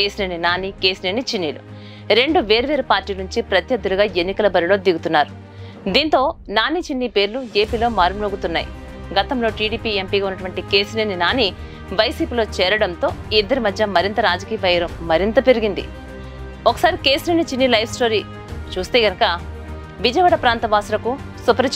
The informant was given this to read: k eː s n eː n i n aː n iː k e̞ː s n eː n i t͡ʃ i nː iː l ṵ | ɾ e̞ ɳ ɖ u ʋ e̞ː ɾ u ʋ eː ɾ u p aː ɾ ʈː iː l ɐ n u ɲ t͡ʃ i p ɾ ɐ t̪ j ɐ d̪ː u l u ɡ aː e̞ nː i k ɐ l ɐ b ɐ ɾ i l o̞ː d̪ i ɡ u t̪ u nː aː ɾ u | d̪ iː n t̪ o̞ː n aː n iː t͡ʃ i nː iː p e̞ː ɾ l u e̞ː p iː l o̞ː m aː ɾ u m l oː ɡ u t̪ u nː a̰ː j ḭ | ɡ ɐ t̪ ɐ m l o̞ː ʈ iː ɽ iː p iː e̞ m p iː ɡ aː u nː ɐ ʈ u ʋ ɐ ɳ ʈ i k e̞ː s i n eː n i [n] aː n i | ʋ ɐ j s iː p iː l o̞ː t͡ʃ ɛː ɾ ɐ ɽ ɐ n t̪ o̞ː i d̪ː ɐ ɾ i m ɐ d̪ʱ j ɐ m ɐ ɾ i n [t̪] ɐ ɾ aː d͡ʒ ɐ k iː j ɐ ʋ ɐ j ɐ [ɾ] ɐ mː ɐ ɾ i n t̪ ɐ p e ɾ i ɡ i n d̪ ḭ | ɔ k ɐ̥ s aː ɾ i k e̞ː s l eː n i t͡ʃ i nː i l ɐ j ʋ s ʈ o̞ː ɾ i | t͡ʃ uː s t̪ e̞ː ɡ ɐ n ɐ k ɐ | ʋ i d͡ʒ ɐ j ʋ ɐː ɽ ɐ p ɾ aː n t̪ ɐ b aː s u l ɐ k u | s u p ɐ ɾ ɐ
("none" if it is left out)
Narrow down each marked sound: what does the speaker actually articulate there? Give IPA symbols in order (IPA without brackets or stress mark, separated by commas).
n, t̪, ɾ